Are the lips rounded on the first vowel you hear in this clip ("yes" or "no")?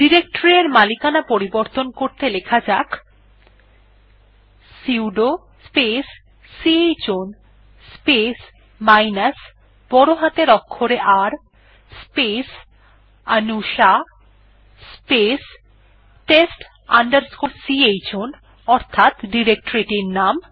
no